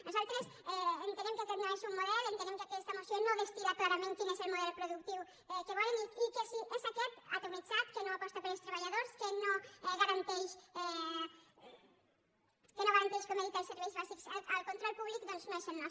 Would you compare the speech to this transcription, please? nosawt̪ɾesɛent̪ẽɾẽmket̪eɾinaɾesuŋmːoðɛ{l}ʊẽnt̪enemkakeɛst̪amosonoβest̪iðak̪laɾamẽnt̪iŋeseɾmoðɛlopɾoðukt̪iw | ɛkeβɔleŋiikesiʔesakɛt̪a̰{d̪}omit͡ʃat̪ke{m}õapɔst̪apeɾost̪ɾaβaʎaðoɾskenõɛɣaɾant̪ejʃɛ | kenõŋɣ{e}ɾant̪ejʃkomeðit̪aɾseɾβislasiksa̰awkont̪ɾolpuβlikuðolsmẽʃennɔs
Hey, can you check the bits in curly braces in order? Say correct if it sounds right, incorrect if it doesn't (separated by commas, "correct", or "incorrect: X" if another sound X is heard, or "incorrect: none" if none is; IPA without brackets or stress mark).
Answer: correct, incorrect: t̪, incorrect: n, incorrect: a